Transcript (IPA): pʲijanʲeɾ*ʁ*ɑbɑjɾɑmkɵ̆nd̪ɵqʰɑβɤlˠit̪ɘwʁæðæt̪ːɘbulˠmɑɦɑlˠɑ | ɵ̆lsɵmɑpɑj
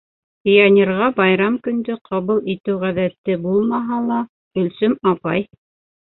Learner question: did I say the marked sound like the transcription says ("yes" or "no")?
yes